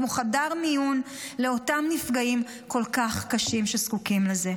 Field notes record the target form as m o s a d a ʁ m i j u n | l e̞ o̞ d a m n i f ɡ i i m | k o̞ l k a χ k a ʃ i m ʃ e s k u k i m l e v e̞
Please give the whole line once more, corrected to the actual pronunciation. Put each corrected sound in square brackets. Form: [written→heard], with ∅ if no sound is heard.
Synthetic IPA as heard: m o [s→χ] a d a ʁ m i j u n | l e̞ o̞ [d→t] a m n i f ɡ [i→a] i m | k o̞ l k a χ k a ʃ i m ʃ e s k u k i m l e [v→z] e̞